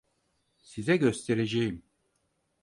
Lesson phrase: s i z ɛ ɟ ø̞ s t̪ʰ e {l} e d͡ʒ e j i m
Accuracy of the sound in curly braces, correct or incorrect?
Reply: incorrect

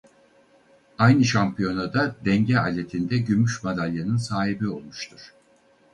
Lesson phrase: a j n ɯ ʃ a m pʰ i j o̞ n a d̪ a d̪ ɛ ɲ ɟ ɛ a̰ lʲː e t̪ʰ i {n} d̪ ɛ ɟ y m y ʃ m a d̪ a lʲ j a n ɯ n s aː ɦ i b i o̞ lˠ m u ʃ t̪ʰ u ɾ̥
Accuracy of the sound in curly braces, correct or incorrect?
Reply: correct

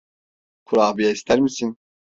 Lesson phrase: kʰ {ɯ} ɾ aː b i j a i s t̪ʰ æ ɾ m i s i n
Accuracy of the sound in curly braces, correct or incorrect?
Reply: incorrect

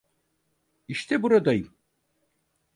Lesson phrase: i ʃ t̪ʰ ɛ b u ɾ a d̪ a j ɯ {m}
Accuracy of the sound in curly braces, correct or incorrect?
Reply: correct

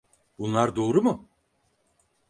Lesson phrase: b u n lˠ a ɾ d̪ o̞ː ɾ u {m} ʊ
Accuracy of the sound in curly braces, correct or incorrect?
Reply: correct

